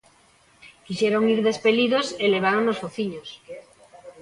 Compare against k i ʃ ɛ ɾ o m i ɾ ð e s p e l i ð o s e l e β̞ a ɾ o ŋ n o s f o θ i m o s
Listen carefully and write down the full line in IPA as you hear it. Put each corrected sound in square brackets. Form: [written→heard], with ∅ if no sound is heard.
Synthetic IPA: k i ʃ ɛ ɾ o [m→ŋ] i ɾ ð e s p e l i ð o s e l e β̞ a ɾ o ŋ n o s f o θ i [m→ɲ] o s